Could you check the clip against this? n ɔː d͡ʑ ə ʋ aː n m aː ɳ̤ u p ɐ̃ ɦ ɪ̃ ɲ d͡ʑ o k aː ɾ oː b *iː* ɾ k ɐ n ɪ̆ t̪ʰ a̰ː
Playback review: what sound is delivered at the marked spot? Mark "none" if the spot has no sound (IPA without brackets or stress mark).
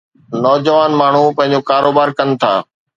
aː